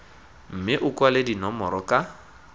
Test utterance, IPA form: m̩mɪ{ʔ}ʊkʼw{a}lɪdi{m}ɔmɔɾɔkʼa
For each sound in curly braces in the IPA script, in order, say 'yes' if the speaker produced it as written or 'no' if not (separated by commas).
yes, yes, no